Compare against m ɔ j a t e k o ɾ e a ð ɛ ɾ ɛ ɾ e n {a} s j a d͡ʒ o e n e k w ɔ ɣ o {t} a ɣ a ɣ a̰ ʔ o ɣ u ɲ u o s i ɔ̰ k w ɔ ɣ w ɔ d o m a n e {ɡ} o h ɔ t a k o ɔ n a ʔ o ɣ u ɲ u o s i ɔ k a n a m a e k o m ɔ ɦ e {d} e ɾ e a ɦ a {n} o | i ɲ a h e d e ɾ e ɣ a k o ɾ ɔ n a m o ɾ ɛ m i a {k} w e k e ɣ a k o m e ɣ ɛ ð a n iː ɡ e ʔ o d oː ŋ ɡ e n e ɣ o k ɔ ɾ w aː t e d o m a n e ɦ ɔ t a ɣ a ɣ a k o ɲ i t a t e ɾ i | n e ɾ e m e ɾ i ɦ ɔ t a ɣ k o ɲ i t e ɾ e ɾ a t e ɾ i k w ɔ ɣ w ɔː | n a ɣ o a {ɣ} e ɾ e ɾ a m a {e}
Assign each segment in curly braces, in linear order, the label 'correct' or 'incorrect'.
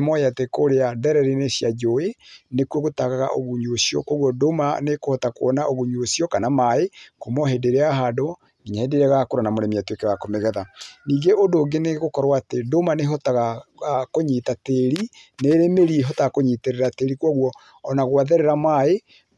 incorrect: e, correct, incorrect: k, correct, incorrect: d, incorrect: t, incorrect: ð, correct

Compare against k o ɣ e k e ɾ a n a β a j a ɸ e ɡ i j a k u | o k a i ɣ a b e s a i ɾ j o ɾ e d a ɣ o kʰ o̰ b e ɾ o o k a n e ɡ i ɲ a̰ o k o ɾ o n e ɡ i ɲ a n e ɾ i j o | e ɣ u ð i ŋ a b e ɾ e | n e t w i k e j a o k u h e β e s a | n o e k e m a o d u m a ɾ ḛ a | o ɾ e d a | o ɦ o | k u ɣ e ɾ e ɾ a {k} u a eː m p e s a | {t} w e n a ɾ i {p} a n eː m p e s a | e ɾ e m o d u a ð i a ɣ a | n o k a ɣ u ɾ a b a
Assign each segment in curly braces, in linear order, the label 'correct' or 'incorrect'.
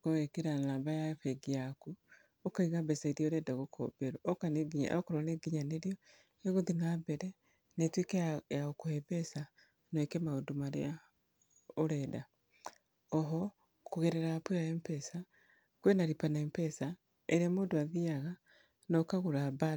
incorrect: p, incorrect: k, correct

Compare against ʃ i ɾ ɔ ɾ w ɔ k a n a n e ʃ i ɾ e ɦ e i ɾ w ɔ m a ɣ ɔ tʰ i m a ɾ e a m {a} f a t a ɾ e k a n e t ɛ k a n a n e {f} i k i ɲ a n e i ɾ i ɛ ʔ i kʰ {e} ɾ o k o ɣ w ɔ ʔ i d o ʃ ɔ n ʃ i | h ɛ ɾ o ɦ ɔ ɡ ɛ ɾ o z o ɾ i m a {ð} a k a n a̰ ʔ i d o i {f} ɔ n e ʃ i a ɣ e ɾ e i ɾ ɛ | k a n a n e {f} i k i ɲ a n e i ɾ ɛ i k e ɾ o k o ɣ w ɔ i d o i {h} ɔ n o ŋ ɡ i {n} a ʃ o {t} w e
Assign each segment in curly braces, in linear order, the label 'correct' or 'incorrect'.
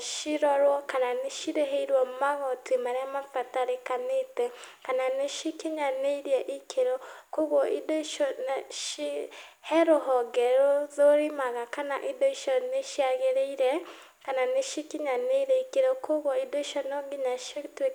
correct, incorrect: ʃ, correct, incorrect: ɣ, incorrect: ʃ, incorrect: ʃ, incorrect: ʃ, incorrect: ɲ, correct

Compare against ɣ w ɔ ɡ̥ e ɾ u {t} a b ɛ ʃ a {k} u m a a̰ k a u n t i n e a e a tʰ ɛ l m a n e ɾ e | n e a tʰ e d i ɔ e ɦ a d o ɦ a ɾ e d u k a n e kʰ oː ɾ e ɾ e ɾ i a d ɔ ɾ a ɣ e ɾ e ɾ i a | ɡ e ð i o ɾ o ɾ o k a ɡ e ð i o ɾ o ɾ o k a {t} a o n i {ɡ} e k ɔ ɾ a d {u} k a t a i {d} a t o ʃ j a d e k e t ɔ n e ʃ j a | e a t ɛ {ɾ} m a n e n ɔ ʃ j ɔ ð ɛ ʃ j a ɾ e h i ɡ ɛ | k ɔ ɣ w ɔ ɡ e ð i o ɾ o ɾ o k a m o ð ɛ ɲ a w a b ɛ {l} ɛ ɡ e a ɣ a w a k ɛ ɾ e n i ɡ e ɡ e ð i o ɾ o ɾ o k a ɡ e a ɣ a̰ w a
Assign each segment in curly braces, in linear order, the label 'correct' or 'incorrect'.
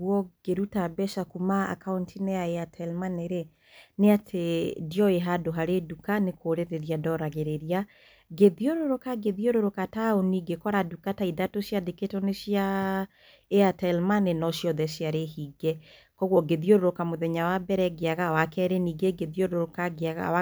correct, correct, correct, correct, correct, correct, incorrect: l, incorrect: ɾ

